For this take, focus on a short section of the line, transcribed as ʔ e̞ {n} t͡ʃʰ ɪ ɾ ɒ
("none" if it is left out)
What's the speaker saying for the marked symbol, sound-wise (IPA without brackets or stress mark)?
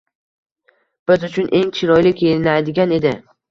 ŋ